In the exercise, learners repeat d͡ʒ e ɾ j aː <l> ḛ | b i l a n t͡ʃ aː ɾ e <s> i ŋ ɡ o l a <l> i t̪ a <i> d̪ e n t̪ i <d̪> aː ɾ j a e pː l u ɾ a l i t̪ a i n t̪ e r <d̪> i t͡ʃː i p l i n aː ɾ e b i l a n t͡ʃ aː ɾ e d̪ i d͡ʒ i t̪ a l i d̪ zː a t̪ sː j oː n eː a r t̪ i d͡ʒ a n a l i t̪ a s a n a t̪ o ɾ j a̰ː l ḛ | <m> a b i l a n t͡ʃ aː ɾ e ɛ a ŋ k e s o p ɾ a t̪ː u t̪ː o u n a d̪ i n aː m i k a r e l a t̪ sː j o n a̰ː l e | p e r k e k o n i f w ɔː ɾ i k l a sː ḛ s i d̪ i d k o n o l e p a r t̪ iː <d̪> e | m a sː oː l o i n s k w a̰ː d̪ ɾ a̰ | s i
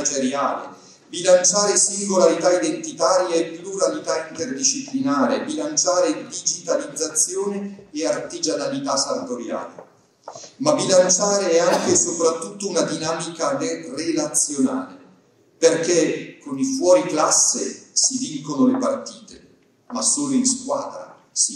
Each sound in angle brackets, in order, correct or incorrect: correct, correct, incorrect: ɾ, correct, incorrect: t̪, correct, correct, incorrect: t̪

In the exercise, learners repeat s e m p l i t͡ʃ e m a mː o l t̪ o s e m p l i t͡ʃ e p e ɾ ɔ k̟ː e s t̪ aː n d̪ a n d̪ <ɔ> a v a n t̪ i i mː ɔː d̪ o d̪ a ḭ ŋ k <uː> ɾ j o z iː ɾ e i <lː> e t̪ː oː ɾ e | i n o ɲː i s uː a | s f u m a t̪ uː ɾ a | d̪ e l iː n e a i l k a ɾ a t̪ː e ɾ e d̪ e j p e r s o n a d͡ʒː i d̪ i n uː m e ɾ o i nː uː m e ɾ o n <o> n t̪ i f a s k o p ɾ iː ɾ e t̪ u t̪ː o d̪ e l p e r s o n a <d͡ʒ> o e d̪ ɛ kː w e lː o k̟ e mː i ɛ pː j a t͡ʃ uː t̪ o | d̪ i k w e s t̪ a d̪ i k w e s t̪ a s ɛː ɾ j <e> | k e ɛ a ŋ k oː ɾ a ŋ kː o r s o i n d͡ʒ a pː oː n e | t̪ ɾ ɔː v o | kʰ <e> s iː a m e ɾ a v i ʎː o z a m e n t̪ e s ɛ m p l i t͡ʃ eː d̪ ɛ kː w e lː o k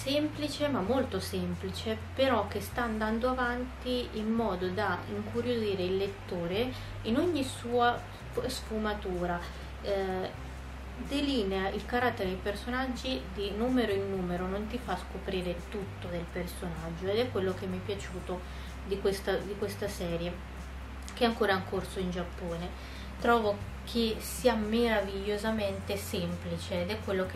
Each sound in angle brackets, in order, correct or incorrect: incorrect: o, incorrect: u, correct, correct, incorrect: d͡ʒː, correct, correct

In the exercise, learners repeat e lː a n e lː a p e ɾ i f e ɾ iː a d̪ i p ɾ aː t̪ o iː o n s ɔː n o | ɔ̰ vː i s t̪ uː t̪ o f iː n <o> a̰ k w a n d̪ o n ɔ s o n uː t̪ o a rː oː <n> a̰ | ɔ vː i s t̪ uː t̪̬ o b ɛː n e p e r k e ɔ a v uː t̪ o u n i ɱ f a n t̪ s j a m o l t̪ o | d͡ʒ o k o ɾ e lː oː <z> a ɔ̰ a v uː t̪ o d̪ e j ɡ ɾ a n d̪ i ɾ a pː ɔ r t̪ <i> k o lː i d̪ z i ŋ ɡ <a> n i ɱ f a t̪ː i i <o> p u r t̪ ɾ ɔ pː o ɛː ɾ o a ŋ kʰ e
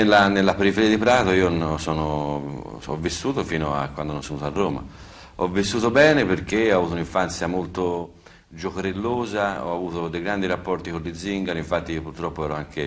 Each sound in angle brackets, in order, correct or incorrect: correct, incorrect: m, correct, correct, correct, correct

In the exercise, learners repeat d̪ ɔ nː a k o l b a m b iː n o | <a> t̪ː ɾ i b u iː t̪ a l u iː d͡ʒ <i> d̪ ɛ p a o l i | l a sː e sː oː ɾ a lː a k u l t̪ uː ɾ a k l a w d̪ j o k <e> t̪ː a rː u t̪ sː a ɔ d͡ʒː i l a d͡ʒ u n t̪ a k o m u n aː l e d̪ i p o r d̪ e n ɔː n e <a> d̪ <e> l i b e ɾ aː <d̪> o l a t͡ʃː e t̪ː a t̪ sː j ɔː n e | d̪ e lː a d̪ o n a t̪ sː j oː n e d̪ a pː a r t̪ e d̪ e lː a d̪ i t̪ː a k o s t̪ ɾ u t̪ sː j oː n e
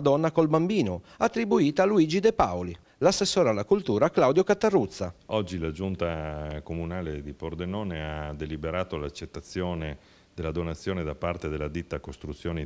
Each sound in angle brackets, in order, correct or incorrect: correct, correct, incorrect: a, correct, correct, incorrect: t̪

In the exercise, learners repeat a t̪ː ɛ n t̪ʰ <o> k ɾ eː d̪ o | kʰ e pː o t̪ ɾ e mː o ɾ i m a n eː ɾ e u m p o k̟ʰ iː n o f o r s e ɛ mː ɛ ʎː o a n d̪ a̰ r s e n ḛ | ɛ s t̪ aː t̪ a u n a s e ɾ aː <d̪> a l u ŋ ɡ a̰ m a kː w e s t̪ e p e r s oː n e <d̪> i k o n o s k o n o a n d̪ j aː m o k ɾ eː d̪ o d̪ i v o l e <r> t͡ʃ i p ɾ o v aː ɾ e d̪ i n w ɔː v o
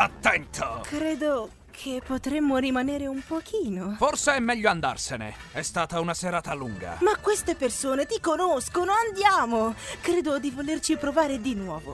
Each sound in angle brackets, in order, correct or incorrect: correct, incorrect: t̪, incorrect: t̪, correct

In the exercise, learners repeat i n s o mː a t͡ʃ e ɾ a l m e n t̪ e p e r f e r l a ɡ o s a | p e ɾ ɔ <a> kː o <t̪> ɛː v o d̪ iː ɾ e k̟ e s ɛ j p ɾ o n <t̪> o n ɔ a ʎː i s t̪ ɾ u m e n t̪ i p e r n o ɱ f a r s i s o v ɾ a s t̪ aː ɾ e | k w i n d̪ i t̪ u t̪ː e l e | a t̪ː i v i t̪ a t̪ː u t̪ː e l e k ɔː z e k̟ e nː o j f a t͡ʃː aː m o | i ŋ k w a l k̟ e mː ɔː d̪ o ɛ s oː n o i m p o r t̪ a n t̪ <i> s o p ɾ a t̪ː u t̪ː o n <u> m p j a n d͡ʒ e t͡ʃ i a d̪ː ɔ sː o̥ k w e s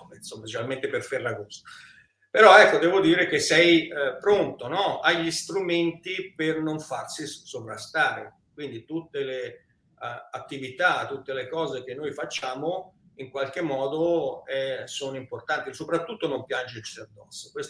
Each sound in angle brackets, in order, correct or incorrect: incorrect: ɛ, incorrect: d̪, correct, correct, incorrect: o

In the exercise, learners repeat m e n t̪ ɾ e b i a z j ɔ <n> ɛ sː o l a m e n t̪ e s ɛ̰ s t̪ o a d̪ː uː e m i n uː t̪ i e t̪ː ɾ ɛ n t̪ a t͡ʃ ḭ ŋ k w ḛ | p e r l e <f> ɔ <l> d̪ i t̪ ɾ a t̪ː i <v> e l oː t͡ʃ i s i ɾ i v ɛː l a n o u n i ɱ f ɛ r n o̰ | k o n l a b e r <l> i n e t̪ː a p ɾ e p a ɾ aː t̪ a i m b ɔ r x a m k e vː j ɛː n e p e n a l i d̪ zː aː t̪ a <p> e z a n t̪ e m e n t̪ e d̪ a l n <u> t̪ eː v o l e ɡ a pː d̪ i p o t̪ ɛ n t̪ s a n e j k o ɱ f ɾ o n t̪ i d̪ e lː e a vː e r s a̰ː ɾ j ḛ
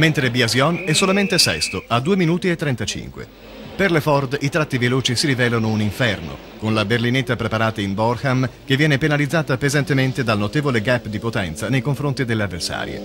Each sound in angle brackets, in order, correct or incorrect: correct, correct, incorrect: r, correct, correct, correct, incorrect: o

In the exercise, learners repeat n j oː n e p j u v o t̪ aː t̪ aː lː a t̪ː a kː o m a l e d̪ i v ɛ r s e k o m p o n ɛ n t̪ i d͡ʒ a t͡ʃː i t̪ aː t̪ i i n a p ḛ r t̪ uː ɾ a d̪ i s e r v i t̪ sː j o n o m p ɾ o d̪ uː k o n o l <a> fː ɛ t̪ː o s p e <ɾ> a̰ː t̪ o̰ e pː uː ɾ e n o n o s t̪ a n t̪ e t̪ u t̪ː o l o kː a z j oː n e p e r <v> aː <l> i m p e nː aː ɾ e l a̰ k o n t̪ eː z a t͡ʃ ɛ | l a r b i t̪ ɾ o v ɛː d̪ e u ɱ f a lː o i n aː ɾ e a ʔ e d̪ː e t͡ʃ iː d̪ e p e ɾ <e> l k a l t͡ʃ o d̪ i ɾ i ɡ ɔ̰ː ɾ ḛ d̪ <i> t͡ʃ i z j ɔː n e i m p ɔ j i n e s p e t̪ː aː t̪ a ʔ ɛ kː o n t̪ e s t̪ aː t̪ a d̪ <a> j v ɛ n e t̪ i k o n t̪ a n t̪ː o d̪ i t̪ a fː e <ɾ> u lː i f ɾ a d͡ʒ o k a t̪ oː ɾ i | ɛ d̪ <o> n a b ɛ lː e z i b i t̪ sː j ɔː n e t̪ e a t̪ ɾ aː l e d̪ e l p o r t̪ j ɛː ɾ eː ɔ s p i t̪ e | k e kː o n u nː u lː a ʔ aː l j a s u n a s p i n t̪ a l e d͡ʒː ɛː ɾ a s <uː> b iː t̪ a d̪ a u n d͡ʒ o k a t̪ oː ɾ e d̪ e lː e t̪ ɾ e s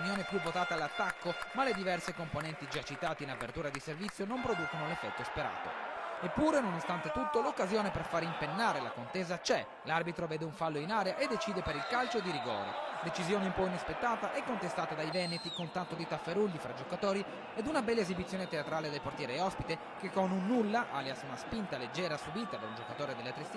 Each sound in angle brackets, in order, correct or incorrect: incorrect: e, correct, incorrect: f, incorrect: ɾ, incorrect: i, incorrect: e, correct, correct, incorrect: u, incorrect: u

